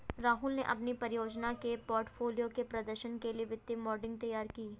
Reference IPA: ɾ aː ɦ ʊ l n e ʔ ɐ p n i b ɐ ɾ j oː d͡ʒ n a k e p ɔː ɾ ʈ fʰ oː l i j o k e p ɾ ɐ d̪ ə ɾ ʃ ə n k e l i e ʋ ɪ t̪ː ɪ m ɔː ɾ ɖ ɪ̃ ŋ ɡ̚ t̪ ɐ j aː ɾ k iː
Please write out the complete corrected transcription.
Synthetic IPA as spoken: ɾ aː ɦ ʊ l n e ʔ ɐ p n i p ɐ ɾ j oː d͡ʒ n a k e p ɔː ɾ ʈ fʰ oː l i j o k e p ɾ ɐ d̪ ə ɾ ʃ ə n k e l i e ʋ ɪ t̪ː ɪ m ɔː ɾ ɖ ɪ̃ ŋ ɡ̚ t̪ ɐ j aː ɾ k iː